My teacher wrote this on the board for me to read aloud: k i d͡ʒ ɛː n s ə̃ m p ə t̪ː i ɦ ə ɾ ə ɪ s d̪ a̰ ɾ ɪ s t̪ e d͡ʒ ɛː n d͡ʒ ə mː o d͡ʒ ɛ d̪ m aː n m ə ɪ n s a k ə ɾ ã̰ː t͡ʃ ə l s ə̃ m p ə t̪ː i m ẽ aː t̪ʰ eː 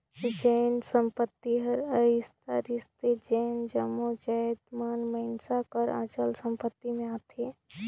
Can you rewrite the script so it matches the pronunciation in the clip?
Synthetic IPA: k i d͡ʒ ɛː n s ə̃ m p ə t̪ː i ɦ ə ɾ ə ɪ s t̪ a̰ ɾ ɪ s t̪ e d͡ʒ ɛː n d͡ʒ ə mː o d͡ʒ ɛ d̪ m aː n m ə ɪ n s a k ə ɾ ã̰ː t͡ʃ ə l s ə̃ m p ə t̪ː i m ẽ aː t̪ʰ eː